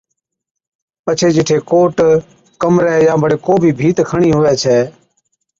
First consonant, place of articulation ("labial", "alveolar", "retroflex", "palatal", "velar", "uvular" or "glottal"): labial